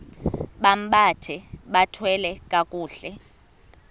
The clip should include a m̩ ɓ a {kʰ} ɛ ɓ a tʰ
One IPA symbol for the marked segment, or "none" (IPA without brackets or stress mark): tʰ